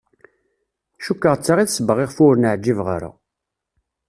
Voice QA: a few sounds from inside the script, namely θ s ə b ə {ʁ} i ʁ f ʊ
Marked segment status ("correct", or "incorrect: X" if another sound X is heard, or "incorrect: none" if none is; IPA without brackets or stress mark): correct